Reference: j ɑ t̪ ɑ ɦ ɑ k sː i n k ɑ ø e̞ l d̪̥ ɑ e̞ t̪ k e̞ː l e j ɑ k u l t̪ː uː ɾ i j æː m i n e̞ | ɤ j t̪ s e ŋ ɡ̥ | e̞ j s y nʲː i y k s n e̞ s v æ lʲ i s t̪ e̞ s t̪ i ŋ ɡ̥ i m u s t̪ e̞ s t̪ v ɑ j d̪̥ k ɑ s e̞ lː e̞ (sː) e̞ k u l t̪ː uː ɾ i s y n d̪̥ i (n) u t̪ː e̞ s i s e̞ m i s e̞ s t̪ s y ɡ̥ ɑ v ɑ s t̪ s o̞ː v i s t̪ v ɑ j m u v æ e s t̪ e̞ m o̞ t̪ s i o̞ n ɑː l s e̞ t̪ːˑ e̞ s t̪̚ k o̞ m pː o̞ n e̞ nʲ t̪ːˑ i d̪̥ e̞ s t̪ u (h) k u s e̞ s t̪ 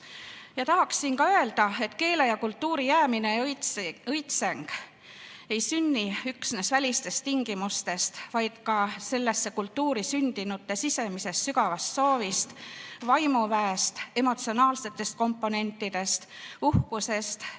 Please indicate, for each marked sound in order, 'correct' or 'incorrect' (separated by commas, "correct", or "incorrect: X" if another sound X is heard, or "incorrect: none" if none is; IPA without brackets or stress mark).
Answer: correct, correct, correct